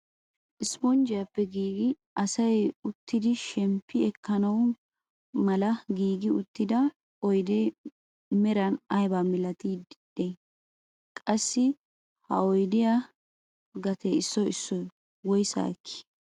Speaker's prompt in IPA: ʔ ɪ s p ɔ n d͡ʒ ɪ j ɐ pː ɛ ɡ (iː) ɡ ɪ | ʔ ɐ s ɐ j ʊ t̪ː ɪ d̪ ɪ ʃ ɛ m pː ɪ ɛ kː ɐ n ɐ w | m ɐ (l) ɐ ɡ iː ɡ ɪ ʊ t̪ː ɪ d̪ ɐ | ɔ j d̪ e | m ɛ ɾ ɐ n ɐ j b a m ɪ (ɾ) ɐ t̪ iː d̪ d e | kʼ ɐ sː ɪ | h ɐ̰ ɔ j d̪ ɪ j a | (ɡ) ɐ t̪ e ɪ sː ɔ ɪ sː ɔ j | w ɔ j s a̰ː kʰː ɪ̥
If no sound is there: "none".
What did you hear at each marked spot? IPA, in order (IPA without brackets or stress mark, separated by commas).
iː, l, l, ɡ